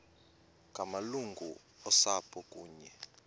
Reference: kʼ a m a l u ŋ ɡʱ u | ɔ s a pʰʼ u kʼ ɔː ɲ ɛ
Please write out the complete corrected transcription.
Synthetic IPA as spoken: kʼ a m a l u ŋ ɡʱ u | ɔ s a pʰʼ ɔ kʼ uː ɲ ɛ